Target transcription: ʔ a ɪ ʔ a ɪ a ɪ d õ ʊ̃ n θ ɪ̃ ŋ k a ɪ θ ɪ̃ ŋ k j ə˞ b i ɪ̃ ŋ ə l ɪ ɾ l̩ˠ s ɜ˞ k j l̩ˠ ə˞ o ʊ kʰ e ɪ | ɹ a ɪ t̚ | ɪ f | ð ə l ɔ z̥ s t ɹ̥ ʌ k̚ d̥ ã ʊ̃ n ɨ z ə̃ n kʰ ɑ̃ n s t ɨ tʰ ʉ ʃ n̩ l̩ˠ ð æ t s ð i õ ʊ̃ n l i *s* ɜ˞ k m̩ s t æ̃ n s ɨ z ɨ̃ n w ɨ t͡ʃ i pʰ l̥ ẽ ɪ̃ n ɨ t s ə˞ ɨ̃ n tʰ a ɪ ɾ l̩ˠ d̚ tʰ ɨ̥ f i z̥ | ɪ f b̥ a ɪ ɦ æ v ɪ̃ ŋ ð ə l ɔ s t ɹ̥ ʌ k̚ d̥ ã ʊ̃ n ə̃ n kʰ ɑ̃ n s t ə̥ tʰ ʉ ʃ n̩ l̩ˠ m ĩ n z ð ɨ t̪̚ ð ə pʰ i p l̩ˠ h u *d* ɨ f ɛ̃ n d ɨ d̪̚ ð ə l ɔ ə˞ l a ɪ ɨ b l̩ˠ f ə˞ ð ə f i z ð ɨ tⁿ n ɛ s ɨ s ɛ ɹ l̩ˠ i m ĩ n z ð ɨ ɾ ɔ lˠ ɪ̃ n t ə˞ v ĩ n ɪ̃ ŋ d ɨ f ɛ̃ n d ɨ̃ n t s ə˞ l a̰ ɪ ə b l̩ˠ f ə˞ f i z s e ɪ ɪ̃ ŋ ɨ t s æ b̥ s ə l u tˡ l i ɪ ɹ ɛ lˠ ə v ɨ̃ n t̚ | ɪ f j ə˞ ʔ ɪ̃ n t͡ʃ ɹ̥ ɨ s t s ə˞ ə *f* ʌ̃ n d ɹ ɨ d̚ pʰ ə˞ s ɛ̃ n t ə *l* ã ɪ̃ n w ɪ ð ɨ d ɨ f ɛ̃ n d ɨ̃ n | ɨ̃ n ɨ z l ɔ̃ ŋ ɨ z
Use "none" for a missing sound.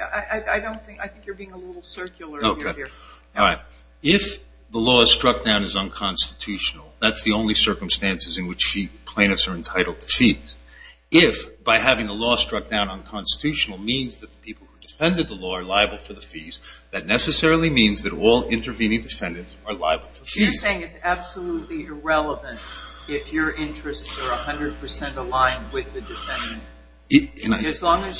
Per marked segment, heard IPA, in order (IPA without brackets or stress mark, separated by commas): s, d, h, l